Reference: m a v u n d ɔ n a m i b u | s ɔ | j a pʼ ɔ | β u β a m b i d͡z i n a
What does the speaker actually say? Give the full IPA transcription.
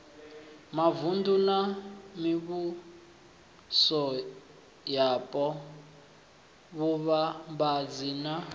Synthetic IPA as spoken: m a v u n d u n a m i β u | s ɔ | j a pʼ ɔ | β u β a m b a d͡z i n a